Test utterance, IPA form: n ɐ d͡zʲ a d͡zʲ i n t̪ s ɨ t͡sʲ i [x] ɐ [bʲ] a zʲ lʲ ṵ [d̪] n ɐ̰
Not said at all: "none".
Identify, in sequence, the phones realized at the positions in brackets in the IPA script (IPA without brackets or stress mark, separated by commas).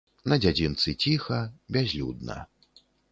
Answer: x, bʲ, d̪